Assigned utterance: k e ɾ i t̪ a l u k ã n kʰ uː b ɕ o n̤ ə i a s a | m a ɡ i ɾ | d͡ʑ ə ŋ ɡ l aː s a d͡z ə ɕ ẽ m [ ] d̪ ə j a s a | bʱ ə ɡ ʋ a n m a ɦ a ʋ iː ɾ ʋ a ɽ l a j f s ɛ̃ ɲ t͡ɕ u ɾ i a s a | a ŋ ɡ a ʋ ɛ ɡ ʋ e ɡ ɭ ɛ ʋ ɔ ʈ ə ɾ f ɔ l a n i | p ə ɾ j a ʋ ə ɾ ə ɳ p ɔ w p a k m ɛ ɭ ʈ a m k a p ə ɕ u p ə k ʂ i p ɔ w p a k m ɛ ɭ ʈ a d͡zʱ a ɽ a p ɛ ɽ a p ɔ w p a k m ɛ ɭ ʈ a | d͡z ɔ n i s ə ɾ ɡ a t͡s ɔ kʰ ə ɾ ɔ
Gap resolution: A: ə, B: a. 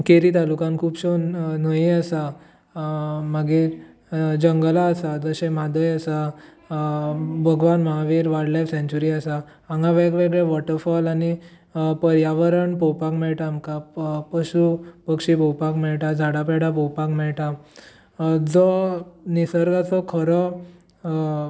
B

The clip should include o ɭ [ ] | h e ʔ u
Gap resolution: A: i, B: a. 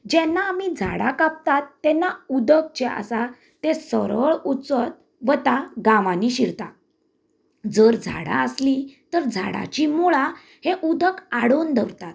B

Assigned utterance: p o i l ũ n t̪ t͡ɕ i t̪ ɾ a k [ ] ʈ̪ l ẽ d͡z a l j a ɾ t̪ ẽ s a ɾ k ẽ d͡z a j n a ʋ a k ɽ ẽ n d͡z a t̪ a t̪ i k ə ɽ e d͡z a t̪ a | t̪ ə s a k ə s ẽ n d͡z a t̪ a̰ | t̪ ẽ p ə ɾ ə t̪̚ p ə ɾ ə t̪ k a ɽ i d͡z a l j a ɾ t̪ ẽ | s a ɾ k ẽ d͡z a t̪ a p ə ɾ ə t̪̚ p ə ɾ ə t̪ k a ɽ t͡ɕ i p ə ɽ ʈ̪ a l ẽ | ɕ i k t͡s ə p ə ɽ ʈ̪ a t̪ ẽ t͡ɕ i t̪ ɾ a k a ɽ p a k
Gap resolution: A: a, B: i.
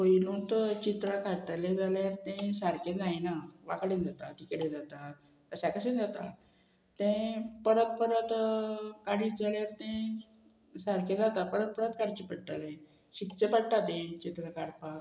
A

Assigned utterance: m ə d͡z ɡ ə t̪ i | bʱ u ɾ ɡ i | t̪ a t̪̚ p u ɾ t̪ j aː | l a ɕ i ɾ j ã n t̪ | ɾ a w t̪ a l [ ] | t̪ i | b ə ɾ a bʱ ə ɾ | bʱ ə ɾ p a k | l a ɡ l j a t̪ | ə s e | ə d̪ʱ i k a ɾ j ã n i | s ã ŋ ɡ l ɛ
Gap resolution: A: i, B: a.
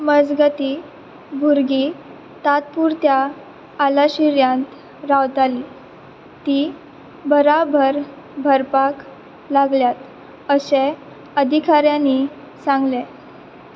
A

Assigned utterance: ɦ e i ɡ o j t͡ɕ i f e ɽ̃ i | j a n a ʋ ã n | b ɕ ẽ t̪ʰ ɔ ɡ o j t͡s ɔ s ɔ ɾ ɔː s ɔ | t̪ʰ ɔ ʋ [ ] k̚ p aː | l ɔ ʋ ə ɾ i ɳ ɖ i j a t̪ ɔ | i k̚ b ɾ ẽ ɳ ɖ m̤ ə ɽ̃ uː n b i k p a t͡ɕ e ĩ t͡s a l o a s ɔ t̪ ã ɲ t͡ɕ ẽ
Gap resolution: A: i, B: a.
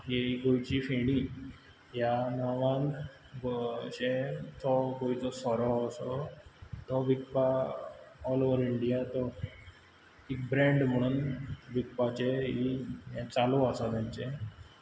A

